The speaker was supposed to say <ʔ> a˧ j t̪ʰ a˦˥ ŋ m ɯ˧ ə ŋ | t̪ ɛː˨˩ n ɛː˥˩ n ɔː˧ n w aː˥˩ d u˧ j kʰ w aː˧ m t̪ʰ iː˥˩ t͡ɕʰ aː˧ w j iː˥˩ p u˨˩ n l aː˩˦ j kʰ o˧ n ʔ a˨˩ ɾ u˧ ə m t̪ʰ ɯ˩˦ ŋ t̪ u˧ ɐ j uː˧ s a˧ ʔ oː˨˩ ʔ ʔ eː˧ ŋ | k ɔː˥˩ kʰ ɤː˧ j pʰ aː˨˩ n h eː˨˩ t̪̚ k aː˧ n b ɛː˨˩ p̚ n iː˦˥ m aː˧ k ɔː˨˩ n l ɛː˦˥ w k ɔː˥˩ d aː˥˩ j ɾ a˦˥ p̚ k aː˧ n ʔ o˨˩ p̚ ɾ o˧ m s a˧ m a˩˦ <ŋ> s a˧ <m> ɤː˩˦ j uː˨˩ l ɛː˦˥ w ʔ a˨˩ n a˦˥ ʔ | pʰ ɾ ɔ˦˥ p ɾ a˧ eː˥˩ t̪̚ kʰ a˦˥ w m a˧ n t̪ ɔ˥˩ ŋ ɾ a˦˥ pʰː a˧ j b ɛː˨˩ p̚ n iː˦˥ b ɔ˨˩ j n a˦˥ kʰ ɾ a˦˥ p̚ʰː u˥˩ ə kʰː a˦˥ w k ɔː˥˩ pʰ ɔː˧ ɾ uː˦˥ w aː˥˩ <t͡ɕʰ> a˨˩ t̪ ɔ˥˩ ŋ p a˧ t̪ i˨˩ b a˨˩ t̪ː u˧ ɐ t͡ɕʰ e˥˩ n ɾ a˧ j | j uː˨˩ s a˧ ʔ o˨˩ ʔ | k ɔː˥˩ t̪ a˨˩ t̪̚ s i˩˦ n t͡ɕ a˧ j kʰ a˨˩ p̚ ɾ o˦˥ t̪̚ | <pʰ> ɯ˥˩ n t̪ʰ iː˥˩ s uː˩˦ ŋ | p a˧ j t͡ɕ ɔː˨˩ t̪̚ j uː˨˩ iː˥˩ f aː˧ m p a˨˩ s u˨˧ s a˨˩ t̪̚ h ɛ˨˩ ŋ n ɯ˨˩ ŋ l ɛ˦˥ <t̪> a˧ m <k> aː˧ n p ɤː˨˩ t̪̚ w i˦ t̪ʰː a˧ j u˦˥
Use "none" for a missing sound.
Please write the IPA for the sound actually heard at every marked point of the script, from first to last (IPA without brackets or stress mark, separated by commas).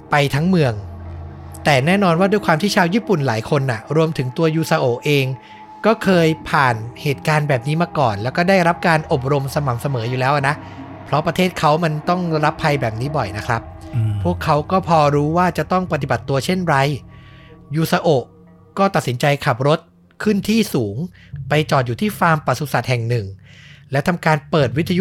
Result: p, m, m, t͡ɕ, kʰ, t̪ʰ, k